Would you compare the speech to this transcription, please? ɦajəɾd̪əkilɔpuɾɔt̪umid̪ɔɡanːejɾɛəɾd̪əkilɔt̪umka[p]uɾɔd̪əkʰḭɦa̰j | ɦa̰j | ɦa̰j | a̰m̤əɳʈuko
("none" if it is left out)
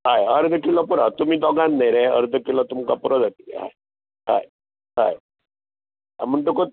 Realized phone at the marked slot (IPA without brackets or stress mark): p